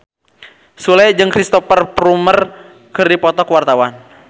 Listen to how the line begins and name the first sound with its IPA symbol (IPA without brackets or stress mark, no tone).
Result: s